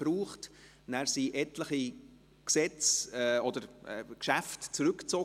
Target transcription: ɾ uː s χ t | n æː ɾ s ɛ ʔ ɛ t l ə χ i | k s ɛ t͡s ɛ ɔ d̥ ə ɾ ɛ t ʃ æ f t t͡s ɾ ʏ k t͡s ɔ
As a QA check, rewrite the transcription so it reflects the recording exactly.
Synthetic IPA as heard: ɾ uː χ t | n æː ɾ s i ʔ ɛ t l ə χ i | k s ɛ t͡s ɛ ɔ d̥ ə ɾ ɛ k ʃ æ f t t͡s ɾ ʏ k t͡s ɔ